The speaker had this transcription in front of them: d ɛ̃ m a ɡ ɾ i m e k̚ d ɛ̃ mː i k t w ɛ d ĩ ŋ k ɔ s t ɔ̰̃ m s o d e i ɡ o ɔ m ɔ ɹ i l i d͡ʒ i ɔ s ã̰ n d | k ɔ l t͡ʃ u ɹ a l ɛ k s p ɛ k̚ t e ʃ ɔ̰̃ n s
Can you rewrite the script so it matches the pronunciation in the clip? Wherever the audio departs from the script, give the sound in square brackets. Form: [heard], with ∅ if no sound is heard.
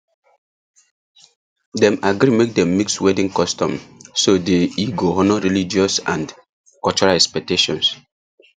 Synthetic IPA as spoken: d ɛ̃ m a ɡ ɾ i m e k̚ d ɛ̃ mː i k [s] w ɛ d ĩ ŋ k ɔ s t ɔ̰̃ m s o d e i ɡ o ɔ [n] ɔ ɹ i l i d͡ʒ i ɔ s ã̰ n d | k ɔ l t͡ʃ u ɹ a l ɛ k s p ɛ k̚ t e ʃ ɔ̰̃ n s

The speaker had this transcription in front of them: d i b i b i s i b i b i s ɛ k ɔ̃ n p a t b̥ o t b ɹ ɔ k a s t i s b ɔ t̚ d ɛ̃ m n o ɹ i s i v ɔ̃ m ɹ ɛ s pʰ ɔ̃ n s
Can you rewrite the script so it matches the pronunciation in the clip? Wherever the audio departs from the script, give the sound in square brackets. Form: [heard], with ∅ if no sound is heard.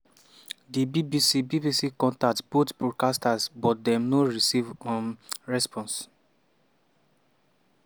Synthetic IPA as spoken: d i b i b i s i b i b i s [i] k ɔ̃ n [t] a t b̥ o t b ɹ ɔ k a s t [a] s b ɔ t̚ d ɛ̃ m n o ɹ i s i v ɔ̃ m ɹ ɛ s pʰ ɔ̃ n s

